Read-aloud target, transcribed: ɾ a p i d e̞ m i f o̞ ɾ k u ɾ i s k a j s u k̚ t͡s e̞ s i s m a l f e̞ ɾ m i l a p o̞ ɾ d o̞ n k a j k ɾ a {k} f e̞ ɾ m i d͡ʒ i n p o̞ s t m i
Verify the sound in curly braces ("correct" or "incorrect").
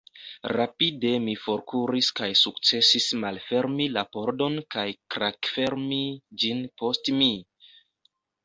correct